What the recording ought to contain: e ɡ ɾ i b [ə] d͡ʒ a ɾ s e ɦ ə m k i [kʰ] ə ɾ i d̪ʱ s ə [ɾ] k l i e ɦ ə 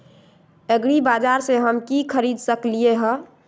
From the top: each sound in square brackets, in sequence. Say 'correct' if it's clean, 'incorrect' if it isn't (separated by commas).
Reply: incorrect, correct, incorrect